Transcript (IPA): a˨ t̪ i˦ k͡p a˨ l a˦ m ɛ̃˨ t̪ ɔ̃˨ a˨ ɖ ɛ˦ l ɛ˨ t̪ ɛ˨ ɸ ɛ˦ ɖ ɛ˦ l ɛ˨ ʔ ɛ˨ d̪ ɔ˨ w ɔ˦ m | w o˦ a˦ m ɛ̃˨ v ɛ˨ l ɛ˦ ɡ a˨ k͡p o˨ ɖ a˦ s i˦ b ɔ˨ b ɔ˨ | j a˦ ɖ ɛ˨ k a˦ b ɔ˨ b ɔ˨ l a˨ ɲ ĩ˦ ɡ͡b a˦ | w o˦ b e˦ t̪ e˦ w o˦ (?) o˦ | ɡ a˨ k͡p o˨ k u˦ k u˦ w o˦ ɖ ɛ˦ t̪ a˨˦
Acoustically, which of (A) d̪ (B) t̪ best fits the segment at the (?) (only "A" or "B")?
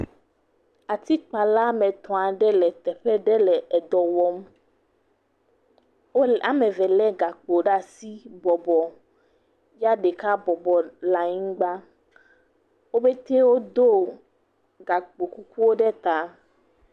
A